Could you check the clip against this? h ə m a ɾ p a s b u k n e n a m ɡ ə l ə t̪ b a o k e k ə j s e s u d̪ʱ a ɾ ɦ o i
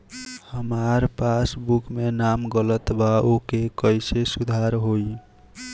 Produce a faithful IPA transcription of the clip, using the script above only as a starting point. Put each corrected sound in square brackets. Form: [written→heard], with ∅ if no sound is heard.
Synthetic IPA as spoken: h ə m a ɾ p a s b u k [n→m] e n a m ɡ ə l ə t̪ b a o k e k ə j s e s u d̪ʱ a ɾ ɦ o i